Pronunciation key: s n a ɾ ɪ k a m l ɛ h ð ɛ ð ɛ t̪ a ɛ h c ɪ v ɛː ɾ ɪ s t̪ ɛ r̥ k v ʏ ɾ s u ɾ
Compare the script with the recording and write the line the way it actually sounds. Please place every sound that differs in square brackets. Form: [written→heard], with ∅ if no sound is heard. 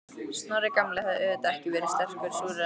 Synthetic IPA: s n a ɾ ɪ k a m l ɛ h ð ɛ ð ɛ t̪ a ɛ h c ɪ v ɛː ɾ ɪ s t̪ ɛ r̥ k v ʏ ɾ s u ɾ